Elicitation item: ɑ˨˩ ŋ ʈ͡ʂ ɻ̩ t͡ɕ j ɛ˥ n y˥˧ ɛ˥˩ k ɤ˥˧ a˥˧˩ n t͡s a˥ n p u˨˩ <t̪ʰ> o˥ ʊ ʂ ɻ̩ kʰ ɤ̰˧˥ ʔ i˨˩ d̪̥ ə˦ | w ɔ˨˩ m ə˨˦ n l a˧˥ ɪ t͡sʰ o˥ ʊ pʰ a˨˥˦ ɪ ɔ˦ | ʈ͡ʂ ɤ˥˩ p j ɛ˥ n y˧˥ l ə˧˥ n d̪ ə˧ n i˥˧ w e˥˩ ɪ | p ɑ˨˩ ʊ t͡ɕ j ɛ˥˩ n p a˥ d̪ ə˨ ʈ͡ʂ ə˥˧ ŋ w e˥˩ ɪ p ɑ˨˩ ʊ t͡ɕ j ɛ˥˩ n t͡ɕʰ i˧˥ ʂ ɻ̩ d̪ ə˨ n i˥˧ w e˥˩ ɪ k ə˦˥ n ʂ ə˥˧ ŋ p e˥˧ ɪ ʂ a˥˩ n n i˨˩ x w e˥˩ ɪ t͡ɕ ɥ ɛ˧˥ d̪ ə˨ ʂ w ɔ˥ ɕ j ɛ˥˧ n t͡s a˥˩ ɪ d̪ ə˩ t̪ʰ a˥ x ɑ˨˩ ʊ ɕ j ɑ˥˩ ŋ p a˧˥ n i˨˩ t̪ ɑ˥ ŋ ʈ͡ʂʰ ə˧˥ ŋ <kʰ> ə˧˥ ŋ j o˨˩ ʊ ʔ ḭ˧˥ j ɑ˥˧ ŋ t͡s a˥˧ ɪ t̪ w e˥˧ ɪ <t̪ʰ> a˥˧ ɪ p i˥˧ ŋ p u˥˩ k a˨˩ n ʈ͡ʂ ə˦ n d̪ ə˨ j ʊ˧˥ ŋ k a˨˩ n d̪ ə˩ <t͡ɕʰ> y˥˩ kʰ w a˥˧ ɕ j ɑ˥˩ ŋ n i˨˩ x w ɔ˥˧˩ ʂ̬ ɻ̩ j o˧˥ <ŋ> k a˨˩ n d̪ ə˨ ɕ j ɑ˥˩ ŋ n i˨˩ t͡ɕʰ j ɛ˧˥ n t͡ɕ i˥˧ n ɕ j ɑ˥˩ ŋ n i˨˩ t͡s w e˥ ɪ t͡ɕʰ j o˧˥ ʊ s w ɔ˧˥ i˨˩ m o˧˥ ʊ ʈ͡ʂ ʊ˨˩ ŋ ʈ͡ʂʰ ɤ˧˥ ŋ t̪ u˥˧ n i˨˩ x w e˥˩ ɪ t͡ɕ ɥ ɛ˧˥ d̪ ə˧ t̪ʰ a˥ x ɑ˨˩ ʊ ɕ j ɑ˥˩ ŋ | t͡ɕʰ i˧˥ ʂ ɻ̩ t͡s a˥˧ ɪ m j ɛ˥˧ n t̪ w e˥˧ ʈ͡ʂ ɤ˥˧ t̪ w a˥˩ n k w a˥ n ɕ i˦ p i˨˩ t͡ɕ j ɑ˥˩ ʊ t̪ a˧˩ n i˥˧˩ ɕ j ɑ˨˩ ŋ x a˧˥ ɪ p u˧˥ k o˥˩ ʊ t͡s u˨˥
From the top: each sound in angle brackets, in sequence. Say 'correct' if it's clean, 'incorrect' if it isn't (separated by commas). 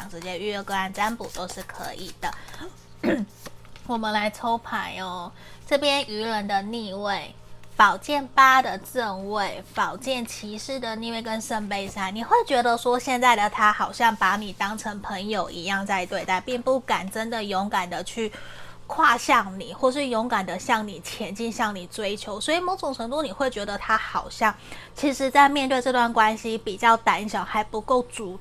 incorrect, incorrect, incorrect, correct, correct